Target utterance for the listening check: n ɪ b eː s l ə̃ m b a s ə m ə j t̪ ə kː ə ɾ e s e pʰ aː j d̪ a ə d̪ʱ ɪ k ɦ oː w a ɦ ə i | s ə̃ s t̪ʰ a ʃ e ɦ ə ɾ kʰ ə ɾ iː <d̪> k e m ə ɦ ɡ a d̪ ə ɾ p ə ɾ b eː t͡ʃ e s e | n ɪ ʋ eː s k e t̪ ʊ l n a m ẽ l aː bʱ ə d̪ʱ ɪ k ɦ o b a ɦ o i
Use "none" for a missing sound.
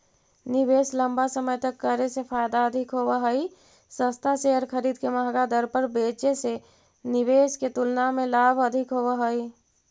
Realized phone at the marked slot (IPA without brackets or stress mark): d̪